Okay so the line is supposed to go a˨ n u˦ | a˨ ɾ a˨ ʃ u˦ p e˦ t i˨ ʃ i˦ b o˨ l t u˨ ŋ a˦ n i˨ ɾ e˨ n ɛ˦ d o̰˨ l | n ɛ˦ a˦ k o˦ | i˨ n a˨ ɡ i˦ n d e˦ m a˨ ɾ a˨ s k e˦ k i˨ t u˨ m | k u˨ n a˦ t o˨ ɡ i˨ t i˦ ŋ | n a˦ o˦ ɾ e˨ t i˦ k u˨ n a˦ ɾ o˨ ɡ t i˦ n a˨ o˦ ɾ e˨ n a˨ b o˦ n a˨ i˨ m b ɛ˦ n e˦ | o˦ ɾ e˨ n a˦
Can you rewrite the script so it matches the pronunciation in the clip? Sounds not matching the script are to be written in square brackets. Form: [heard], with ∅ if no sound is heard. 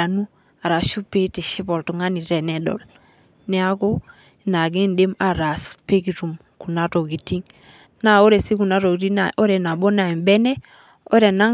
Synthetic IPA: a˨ n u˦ | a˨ ɾ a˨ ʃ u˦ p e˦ t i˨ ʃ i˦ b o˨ l t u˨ ŋ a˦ n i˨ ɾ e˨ n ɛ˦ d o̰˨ l | n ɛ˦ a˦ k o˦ | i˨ n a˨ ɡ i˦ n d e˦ m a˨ ɾ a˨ s [p] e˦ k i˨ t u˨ m | k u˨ n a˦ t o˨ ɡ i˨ t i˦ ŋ | n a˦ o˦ ɾ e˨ [s] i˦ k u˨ n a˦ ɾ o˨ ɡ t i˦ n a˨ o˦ ɾ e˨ n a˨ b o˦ n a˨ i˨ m b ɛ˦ n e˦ | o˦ ɾ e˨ n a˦

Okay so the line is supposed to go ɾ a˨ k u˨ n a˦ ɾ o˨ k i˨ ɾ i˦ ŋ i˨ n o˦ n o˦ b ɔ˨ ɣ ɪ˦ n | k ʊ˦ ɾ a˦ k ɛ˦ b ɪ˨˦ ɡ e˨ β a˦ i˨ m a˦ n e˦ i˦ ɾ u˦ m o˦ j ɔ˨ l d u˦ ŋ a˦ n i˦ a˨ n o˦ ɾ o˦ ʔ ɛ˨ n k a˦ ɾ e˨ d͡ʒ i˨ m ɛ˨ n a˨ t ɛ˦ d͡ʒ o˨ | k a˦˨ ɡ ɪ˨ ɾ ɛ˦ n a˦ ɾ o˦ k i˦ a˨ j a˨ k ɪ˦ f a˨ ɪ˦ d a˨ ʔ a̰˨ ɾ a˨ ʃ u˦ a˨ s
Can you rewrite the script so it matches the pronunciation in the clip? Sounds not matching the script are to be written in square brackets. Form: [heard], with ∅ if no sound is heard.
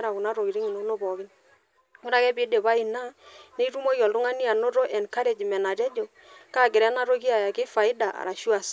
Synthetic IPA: ɾ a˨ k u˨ n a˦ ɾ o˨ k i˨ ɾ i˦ ŋ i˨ n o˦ n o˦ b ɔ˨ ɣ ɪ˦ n | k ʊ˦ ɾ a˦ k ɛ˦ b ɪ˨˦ [d] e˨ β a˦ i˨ [n] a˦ n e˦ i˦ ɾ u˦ m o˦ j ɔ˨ l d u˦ ŋ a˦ n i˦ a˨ n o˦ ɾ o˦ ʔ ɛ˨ n k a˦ ɾ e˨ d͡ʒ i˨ m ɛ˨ n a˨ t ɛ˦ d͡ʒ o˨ | k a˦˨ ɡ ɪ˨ ɾ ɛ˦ n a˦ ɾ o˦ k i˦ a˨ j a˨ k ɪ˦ f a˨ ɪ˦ d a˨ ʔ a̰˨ ɾ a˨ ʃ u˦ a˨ s

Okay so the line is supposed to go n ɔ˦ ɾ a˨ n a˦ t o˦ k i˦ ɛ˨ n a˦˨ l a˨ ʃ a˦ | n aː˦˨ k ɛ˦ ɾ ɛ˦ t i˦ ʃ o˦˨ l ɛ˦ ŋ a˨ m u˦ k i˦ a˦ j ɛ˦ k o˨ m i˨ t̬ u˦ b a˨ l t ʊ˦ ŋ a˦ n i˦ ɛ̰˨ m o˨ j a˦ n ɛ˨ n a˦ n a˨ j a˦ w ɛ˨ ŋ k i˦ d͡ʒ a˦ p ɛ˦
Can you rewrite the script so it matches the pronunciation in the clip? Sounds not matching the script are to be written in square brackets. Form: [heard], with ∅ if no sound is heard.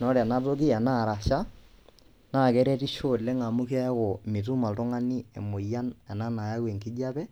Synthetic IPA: n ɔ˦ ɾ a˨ n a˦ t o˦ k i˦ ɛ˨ n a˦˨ [ɾ] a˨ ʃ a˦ | n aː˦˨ k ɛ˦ ɾ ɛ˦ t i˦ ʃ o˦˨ l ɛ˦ ŋ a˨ m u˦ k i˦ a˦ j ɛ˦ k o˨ m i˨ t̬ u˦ [m] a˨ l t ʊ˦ ŋ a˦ n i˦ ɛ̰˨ m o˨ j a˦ n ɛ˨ n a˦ n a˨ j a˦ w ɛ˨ ŋ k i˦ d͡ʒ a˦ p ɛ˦

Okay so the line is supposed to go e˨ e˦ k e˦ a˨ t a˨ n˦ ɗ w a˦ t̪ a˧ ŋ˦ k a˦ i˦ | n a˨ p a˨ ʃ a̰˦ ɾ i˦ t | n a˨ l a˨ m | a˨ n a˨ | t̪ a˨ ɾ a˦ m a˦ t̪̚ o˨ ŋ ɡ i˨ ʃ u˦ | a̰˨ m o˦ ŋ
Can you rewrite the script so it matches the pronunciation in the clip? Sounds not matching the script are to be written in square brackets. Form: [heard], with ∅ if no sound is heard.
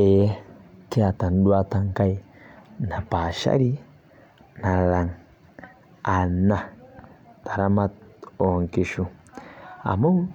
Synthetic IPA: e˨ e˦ k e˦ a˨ t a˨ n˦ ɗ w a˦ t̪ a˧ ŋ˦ k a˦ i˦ | n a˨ p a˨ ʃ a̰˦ ɾ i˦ [∅] | n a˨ l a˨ [ŋ] | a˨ n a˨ | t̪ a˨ ɾ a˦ m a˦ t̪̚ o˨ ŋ [k] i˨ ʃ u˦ | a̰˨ m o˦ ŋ

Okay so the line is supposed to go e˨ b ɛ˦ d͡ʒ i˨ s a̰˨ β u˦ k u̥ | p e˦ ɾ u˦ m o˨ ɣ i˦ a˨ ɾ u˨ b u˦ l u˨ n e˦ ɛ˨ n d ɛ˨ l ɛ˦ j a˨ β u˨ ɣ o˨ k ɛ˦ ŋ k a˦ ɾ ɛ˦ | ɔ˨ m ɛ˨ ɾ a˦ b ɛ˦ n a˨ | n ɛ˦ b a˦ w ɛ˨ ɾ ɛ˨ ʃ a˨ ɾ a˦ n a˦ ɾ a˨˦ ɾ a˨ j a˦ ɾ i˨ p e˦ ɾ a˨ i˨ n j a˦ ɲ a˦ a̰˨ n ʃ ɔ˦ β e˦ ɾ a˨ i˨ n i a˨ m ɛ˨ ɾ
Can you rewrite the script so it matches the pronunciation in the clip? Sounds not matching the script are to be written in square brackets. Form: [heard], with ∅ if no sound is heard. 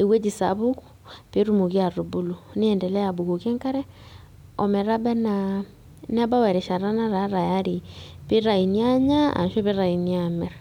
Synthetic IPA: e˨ [w] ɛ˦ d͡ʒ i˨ s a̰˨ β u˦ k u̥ | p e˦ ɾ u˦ m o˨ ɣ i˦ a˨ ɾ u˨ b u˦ l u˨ n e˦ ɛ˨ n d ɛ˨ l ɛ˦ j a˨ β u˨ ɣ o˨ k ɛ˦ ŋ k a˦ ɾ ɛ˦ | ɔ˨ m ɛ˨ ɾ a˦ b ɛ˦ n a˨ | n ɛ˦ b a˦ w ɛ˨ ɾ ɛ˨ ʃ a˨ ɾ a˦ n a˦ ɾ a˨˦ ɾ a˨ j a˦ ɾ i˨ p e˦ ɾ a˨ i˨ n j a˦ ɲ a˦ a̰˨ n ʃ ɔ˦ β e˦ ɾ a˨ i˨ n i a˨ m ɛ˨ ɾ

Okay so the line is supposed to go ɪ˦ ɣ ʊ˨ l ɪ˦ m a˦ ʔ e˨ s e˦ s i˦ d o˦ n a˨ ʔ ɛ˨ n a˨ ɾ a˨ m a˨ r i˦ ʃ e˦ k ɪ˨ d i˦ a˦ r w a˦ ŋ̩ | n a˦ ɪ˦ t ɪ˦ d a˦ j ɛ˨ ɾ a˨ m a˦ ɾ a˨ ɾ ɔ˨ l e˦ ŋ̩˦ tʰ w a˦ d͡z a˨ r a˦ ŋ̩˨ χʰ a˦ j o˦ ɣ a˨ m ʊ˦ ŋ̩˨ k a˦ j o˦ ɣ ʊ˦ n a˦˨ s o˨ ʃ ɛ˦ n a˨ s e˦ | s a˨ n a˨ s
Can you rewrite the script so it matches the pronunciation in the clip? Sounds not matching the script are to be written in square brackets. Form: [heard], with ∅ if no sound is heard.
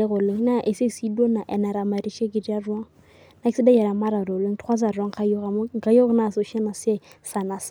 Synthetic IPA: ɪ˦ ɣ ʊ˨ l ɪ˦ [n] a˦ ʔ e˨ s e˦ s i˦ d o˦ n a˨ ʔ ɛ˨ n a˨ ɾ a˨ m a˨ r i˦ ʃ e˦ k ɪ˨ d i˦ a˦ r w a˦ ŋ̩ | n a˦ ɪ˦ [s] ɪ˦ d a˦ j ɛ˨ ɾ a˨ m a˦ ɾ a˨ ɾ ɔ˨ l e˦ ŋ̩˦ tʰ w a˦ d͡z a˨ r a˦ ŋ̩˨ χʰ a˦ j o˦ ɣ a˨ m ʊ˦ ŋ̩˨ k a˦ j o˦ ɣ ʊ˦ n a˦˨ s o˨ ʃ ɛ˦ n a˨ s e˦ | s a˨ n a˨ s

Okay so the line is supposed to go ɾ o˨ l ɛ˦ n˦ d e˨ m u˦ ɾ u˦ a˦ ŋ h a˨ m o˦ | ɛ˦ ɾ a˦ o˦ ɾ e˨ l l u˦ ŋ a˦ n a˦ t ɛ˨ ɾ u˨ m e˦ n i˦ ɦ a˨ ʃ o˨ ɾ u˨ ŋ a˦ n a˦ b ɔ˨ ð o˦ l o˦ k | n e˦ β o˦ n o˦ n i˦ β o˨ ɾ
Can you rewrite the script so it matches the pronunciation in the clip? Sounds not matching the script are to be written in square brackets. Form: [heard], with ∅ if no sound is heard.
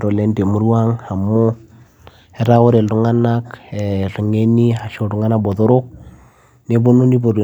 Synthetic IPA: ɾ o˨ l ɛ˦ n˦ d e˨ m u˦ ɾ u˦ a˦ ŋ h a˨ m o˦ | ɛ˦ ɾ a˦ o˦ ɾ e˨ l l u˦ ŋ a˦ n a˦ [k] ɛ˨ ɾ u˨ [ŋ] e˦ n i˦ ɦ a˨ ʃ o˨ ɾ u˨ ŋ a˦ n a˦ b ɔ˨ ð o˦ [ɾ] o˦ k | n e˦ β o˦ n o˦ n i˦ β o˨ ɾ

